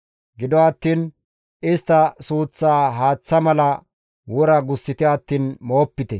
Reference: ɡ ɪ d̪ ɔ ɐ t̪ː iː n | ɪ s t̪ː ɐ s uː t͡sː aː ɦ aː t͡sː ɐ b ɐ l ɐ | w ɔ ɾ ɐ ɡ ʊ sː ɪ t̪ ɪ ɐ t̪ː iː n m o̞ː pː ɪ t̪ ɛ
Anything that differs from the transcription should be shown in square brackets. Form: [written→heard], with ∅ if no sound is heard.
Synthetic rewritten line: ɡ ɪ d̪ ɔ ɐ t̪ː iː n | ɪ s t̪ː ɐ s uː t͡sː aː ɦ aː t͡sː ɐ [b→m] ɐ l ɐ | w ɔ ɾ ɐ ɡ ʊ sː ɪ t̪ ɪ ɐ t̪ː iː n m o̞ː pː ɪ t̪ ɛ